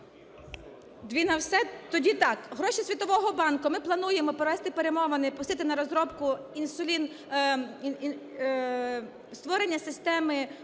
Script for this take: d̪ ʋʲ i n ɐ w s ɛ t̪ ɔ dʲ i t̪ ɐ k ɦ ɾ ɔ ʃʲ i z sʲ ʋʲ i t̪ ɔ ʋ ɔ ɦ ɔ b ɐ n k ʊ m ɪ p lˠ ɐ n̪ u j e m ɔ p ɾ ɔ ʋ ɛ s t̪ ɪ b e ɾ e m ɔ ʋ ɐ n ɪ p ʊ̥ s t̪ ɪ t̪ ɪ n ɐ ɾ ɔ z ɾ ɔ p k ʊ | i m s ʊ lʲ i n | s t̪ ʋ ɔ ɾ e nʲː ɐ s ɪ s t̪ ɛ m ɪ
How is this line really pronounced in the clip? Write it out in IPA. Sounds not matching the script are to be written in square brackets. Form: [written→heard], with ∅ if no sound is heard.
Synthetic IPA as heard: d̪ ʋʲ i n ɐ w s ɛ t̪ ɔ dʲ i t̪ [ɐ→ɑ] k ɦ ɾ ɔ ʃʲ i [z→∅] sʲ ʋʲ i t̪ ɔ ʋ ɔ ɦ ɔ b [ɐ→ɑ] n k ʊ m ɪ p lˠ ɐ n̪ u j e m ɔ p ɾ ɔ ʋ ɛ s t̪ ɪ [b→p] e ɾ e m ɔ ʋ ɐ n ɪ p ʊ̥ s t̪ ɪ t̪ ɪ n ɐ ɾ ɔ z ɾ ɔ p k ʊ | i [m→n] s ʊ lʲ i n | s t̪ ʋ ɔ ɾ e nʲː ɐ s ɪ s t̪ ɛ m ɪ

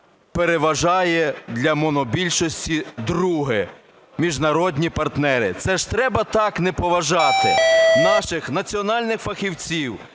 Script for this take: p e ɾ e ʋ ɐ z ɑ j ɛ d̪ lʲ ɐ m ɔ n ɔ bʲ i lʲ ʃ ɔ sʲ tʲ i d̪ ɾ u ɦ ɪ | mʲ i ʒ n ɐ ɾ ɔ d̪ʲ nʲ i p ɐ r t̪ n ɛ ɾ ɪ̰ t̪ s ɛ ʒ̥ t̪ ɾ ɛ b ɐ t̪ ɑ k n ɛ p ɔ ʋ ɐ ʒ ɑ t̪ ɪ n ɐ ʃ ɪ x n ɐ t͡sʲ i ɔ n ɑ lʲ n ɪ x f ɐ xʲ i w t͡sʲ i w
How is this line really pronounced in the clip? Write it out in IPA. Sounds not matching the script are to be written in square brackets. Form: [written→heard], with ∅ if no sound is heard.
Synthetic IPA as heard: p e ɾ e ʋ ɐ [z→ʒ] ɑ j ɛ d̪ lʲ ɐ m ɔ n ɔ bʲ i lʲ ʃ ɔ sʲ tʲ i d̪ ɾ u ɦ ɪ | mʲ i ʒ n ɐ ɾ ɔ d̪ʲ nʲ i p ɐ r t̪ n ɛ ɾ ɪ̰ t̪ s ɛ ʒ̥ t̪ ɾ ɛ b ɐ t̪ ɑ k n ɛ p ɔ ʋ ɐ ʒ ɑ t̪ ɪ n [ɐ→ɑ] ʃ ɪ x n ɐ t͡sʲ i ɔ n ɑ lʲ n ɪ x f ɐ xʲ i w t͡sʲ i w

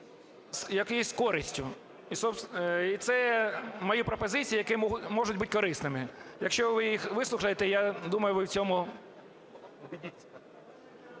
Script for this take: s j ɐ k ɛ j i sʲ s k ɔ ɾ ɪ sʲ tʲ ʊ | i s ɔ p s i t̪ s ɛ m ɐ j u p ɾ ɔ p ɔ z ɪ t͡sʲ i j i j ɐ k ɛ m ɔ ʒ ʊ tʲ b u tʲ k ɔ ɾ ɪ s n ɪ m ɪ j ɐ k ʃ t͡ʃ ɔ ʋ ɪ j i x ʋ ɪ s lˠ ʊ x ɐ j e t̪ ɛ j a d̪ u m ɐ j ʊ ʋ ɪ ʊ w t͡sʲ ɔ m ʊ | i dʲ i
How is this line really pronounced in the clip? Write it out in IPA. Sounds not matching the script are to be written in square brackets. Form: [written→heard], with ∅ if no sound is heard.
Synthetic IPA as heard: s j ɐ k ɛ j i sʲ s k ɔ ɾ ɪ sʲ tʲ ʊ | i s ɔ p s i t̪ s ɛ m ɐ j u p ɾ ɔ p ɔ z ɪ t͡sʲ i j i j ɐ k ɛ m ɔ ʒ ʊ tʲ b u tʲ k ɔ ɾ ɪ s n ɪ m ɪ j ɐ k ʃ t͡ʃ ɔ ʋ ɪ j i x ʋ ɪ s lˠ ʊ x ɐ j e t̪ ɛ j a d̪ u m ɐ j ʊ ʋ ɪ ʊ w t͡sʲ ɔ m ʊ | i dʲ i

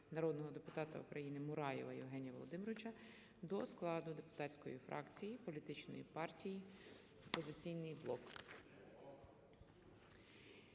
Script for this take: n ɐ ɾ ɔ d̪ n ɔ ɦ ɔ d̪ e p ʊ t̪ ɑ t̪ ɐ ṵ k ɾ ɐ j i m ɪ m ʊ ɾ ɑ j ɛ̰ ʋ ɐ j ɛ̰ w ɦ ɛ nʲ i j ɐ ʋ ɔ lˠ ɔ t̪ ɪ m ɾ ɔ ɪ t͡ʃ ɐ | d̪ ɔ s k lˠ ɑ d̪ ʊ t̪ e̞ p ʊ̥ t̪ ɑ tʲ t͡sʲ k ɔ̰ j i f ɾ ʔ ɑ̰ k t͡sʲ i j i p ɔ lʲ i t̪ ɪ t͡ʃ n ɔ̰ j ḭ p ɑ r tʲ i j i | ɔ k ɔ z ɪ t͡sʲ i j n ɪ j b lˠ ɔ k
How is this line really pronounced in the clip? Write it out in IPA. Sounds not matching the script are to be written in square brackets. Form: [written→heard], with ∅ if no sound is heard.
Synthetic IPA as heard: n ɐ ɾ ɔ d̪ n ɔ ɦ ɔ d̪ e p ʊ t̪ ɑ t̪ ɐ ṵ k ɾ ɐ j i [m→n] ɪ m ʊ ɾ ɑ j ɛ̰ ʋ ɐ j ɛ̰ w ɦ ɛ nʲ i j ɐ ʋ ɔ lˠ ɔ [t̪→d̪] ɪ m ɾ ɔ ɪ t͡ʃ ɐ | d̪ ɔ s k lˠ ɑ d̪ ʊ [t̪→d̪] e̞ p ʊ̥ t̪ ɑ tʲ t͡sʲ k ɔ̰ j i f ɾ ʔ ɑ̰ k t͡sʲ i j i p ɔ lʲ i t̪ ɪ t͡ʃ n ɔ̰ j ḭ p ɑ r tʲ i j i | ɔ [k→p] ɔ z ɪ t͡sʲ i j n ɪ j b lˠ ɔ k

